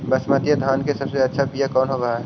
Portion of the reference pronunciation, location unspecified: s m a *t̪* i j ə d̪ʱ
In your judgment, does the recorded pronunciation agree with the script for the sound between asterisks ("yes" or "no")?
yes